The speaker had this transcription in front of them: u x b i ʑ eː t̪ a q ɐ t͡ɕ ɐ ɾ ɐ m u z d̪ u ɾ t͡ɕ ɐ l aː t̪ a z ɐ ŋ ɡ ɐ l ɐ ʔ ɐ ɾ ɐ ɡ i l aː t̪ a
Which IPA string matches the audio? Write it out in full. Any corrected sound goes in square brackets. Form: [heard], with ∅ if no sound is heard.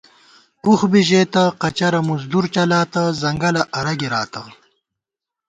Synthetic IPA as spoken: u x b i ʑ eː t̪ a q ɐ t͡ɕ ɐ ɾ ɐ m u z d̪ u ɾ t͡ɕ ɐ l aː t̪ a z ɐ ŋ ɡ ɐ l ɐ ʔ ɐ ɾ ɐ ɡ i [ɾ] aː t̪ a